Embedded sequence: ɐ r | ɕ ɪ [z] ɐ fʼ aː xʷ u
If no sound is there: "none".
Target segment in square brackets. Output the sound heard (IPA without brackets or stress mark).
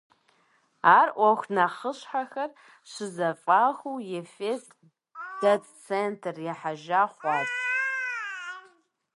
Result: z